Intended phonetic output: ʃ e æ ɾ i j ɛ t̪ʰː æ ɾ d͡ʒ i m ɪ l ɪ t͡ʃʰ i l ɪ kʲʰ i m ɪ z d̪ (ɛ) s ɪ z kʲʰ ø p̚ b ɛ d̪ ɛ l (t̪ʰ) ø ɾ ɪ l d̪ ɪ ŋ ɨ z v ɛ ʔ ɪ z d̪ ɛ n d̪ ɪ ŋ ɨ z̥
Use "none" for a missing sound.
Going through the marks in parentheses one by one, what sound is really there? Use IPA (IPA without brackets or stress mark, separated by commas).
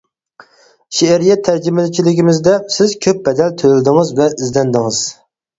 ɛ, t̪ʰ